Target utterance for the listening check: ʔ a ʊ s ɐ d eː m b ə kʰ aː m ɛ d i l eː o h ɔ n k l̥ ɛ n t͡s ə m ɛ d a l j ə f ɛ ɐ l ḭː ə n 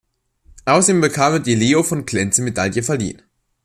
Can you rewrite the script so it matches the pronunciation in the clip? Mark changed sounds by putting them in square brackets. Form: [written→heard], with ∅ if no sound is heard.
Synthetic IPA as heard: ʔ a ʊ s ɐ d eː m b ə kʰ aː m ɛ d i l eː o [h→f] ɔ n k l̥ ɛ n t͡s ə m [ɛ→e] d a l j ə f ɛ ɐ l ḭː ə n